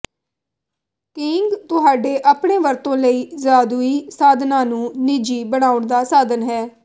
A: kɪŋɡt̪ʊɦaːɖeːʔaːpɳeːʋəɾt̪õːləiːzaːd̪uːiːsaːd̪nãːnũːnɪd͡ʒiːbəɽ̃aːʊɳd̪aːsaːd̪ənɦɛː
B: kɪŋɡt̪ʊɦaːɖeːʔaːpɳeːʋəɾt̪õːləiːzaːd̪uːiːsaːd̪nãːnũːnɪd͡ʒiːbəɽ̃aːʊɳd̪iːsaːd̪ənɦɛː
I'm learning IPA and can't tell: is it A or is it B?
A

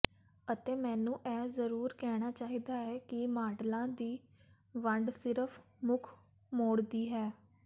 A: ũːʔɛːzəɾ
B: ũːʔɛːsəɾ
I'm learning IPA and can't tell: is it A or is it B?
A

